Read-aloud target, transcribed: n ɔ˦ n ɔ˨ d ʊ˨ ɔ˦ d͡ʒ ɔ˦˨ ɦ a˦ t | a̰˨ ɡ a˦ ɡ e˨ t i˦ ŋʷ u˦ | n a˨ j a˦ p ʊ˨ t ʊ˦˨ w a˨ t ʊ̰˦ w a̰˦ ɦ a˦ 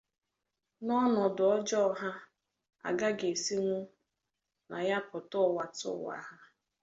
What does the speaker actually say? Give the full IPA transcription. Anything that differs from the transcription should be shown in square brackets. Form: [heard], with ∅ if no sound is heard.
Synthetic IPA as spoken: n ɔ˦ n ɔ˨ d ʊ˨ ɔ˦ d͡ʒ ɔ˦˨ ɦ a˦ [∅] | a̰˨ ɡ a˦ ɡ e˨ [s] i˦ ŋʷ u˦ | n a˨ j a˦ p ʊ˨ t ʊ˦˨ w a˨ t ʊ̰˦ w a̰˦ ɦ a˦